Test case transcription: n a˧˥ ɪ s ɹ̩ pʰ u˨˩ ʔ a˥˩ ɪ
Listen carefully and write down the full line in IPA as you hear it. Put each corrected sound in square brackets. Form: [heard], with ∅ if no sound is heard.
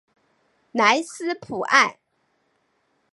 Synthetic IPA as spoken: n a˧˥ ɪ s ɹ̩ pʰ u˨˩ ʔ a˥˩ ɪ